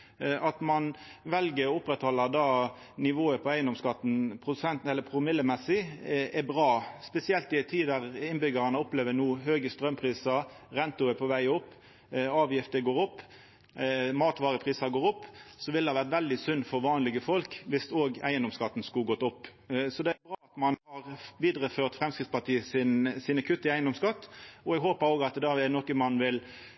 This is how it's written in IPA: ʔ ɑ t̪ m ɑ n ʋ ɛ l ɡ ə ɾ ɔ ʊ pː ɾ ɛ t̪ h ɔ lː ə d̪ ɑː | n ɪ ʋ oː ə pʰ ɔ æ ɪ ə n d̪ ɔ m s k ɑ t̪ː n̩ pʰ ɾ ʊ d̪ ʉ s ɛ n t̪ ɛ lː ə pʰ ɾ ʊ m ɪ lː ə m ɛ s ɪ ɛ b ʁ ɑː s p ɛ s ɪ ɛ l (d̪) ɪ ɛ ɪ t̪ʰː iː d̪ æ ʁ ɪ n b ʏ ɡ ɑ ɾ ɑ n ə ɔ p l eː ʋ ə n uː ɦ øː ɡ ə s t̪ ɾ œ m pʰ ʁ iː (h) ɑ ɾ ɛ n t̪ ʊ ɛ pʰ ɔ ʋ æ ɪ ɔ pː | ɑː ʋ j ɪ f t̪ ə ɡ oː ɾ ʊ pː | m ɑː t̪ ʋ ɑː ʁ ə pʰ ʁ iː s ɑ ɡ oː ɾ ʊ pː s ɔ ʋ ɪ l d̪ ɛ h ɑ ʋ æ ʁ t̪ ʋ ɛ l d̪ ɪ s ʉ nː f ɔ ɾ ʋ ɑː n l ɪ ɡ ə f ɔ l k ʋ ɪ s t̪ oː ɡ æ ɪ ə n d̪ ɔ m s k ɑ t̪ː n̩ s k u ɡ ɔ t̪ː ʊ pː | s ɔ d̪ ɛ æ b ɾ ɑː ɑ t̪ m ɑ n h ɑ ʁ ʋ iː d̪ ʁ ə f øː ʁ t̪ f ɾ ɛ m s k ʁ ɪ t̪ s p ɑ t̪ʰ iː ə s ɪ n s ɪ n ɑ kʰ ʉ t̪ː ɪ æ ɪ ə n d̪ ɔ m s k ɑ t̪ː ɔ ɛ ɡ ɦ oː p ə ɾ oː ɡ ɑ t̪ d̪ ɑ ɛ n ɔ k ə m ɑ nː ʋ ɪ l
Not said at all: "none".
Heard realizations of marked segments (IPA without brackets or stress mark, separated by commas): t̪, s